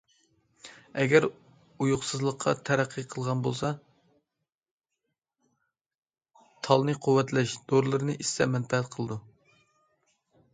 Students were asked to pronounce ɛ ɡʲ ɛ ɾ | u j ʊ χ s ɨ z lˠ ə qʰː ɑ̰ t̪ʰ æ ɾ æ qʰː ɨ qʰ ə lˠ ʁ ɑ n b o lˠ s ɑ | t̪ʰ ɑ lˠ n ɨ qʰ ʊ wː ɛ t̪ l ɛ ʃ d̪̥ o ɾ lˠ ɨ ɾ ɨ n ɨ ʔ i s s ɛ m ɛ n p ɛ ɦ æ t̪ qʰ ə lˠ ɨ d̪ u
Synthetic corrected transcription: ɛ ɡʲ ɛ ɾ | u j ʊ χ s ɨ z lˠ ə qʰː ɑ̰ t̪ʰ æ ɾ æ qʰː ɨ qʰ ə lˠ ʁ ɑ n b o lˠ s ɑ | t̪ʰ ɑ lˠ n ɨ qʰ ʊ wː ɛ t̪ l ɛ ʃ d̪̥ o ɾ lˠ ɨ ɾ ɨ n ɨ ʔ i s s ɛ m ɛ n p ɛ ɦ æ t̪ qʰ ə lˠ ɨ d̪ u

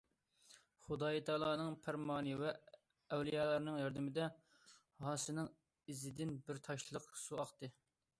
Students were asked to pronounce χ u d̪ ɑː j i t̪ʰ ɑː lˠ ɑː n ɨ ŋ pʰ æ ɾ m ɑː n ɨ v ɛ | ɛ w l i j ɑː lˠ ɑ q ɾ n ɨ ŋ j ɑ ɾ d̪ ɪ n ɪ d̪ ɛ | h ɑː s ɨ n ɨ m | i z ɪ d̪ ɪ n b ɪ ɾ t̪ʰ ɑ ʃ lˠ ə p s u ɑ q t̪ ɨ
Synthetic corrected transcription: χ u d̪ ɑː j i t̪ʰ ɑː lˠ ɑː n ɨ ŋ pʰ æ ɾ m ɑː n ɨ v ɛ | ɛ w l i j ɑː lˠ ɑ ɾ n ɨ ŋ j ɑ ɾ d̪ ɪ m ɪ d̪ ɛ | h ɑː s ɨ n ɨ ŋ | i z ɪ d̪ ɪ n b ɪ ɾ t̪ʰ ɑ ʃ lˠ ə q s u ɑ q t̪ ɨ

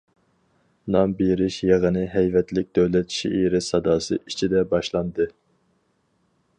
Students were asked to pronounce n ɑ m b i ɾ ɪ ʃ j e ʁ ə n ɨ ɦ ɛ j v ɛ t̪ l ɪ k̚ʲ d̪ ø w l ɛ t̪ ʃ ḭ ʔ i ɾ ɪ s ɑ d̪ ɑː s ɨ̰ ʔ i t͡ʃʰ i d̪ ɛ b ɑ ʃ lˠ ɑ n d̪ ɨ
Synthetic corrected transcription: n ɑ m b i ɾ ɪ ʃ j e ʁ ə n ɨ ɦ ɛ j v ɛ t̪ l ɪ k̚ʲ d̪ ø w l ɛ t̪ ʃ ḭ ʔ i ɾ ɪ s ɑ d̪ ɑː s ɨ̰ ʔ i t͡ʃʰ i d̪ ɛ b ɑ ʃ lˠ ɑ n d̪ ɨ

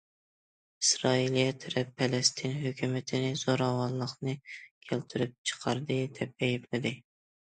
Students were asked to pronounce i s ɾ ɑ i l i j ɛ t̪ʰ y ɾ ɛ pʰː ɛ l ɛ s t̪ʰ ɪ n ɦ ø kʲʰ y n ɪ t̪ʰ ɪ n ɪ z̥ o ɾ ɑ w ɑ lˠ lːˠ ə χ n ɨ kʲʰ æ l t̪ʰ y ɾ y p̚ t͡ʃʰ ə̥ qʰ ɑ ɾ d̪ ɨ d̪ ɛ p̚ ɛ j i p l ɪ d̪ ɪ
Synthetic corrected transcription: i s ɾ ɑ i l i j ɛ t̪ʰ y ɾ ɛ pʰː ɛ l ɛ s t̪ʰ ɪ n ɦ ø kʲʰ y m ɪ t̪ʰ ɪ n ɪ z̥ o ɾ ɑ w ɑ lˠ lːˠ ə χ n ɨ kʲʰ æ l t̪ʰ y ɾ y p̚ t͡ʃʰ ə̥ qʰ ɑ ɾ d̪ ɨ d̪ ɛ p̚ ɛ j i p l ɪ d̪ ɪ

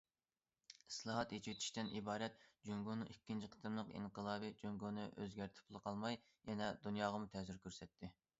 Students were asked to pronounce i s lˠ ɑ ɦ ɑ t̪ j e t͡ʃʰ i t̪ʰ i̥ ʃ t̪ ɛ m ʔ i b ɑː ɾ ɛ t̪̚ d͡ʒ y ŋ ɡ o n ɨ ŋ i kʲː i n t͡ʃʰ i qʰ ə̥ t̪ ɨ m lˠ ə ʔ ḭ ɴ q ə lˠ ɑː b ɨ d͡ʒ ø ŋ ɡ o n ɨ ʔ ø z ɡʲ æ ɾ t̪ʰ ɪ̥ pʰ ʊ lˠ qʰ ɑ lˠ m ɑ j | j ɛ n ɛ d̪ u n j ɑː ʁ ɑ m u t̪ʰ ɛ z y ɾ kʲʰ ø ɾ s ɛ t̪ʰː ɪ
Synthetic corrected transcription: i s lˠ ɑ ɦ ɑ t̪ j e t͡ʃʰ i t̪ʰ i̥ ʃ t̪ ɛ n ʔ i b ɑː ɾ ɛ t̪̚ d͡ʒ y ŋ ɡ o n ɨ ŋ i kʲː i n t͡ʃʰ i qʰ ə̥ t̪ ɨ m lˠ ə q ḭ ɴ q ə lˠ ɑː b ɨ d͡ʒ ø ŋ ɡ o n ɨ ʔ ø z ɡʲ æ ɾ t̪ʰ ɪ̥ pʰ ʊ lˠ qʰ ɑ lˠ m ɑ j | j ɛ n ɛ d̪ u n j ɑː ʁ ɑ m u t̪ʰ ɛ z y ɾ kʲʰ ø ɾ s ɛ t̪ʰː ɪ

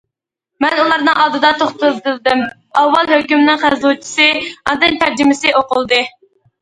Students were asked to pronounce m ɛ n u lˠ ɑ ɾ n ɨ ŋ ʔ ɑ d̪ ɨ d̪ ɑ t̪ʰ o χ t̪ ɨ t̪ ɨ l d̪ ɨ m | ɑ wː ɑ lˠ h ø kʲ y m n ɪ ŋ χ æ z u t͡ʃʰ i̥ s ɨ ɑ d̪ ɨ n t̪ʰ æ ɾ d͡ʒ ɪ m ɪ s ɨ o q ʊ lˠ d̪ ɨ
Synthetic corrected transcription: m ɛ n u lˠ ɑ ɾ n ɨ ŋ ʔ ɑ d̪ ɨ d̪ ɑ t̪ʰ o χ t̪ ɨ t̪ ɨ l d̪ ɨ m | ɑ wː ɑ lˠ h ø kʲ y m n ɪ ŋ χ æ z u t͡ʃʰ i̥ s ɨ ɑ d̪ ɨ n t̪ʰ æ ɾ d͡ʒ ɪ m ɪ s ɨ o q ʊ lˠ d̪ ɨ

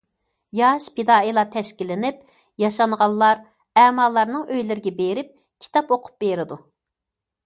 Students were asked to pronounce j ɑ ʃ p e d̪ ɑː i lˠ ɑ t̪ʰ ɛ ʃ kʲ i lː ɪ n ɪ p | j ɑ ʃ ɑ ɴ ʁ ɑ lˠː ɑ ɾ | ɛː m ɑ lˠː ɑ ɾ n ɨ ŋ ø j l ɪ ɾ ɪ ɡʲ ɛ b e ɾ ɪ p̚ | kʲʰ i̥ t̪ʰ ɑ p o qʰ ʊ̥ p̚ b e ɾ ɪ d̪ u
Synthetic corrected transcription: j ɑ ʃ p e d̪ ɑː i lˠ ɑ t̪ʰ ɛ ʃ kʲ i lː ɪ n ɪ p | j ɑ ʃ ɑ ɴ ʁ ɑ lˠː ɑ ɾ | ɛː m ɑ lˠː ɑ ɾ n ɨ ŋ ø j l ɪ ɾ ɪ ɡʲ ɛ b e ɾ ɪ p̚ | kʲʰ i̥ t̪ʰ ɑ p o qʰ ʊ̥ p̚ b e ɾ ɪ d̪ u

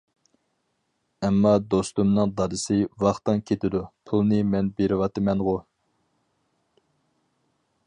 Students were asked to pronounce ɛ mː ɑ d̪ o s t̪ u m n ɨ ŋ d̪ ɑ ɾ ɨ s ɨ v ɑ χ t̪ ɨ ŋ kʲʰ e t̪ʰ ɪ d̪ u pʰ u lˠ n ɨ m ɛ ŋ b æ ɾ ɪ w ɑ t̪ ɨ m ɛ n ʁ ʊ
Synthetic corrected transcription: ɛ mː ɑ d̪ o s t̪ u m n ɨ ŋ d̪ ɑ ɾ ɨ s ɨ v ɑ χ t̪ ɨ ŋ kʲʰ e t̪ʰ ɪ d̪ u pʰ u lˠ n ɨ m ɛ n b e ɾ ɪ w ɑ t̪ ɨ m ɛ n ʁ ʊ

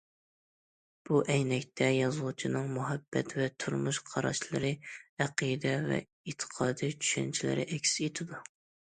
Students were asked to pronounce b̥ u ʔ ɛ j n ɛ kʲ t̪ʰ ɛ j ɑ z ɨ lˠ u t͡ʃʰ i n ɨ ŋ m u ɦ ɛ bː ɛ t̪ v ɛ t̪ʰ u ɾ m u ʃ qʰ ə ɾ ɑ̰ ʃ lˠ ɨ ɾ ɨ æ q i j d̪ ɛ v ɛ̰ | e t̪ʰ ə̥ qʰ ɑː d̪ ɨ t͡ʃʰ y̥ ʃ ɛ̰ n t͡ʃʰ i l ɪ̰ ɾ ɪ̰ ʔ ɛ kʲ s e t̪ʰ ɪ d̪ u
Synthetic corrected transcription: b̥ u ʔ ɛ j n ɛ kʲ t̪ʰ ɛ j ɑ z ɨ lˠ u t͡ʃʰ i n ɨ ŋ m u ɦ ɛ bː ɛ t̪ v ɛ t̪ʰ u ɾ m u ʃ qʰ ɑ ɾ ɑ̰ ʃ lˠ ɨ ɾ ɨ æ q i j d̪ ɛ v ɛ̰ | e t̪ʰ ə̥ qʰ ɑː d̪ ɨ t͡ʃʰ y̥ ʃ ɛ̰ n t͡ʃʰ i l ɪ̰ ɾ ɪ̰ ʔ ɛ kʲ s e t̪ʰ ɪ d̪ u

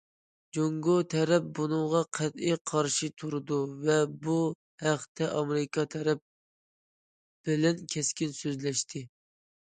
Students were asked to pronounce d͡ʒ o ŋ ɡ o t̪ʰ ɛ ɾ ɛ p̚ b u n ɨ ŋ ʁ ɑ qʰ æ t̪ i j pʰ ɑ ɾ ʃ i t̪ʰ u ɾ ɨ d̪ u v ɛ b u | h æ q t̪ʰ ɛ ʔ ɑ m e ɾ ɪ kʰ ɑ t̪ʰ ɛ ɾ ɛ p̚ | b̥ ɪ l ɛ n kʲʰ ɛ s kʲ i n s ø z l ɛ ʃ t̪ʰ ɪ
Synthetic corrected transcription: d͡ʒ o ŋ ɡ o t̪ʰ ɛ ɾ ɛ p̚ b u n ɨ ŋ ʁ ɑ qʰ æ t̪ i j qʰ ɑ ɾ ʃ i t̪ʰ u ɾ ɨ d̪ u v ɛ b u | h æ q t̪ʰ ɛ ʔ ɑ m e ɾ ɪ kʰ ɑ t̪ʰ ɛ ɾ ɛ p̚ | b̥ ɪ l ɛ n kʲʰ ɛ s kʲ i n s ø z l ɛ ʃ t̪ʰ ɪ

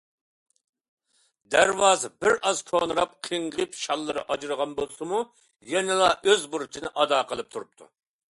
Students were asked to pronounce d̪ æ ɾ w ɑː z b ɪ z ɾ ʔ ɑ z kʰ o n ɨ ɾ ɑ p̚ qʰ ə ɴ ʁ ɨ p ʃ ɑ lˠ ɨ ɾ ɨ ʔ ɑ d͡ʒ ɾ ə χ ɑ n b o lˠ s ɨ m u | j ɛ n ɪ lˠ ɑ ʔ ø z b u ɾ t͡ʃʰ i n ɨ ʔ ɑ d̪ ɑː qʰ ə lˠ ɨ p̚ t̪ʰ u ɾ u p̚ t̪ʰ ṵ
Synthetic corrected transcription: d̪ æ ɾ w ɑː z b ɪ ɾ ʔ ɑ z kʰ o n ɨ ɾ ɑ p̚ qʰ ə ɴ ʁ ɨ p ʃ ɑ lˠː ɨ ɾ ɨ ʔ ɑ d͡ʒ ɾ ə ʁ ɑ n b o lˠ s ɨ m u | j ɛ n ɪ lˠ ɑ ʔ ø z b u ɾ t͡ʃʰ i n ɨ ʔ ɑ d̪ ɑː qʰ ə lˠ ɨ p̚ t̪ʰ u ɾ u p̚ t̪ʰ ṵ

